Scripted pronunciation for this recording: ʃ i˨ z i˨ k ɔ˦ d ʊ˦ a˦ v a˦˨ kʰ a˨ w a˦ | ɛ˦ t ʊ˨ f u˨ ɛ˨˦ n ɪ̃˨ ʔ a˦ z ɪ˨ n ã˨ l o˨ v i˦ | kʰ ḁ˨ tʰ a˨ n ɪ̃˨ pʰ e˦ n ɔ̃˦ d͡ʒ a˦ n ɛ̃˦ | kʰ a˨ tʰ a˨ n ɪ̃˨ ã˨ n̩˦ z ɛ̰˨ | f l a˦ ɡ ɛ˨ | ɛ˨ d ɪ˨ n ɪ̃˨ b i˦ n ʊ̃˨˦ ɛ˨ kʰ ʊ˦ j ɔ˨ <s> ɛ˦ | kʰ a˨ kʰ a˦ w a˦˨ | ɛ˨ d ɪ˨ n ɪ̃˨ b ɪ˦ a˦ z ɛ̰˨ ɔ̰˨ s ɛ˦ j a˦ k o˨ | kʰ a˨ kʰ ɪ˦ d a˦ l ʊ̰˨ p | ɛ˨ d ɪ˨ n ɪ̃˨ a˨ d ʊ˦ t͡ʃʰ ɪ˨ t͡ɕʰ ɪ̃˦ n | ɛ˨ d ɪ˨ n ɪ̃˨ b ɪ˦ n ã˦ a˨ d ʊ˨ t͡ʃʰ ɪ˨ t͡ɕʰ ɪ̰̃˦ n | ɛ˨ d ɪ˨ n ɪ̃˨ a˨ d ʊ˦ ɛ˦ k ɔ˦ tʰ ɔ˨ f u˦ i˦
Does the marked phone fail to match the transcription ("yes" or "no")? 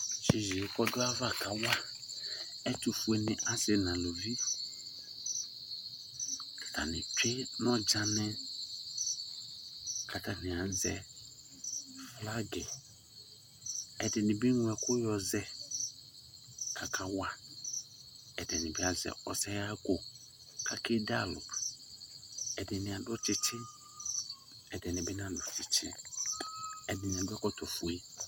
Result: yes